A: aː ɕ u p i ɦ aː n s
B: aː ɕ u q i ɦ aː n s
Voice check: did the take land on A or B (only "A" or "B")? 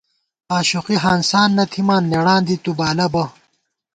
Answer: B